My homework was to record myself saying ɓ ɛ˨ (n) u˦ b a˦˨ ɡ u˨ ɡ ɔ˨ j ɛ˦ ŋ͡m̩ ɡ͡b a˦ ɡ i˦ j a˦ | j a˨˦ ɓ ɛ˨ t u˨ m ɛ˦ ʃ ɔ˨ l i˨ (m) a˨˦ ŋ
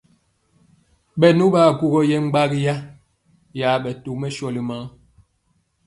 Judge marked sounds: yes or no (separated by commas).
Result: yes, yes